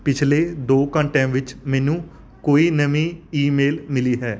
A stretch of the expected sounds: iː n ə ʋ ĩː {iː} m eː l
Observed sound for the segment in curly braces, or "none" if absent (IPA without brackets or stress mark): iː